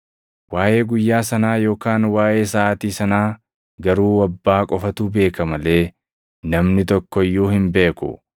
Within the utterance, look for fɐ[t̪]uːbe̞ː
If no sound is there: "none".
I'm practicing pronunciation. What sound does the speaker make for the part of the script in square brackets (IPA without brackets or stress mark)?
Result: t̪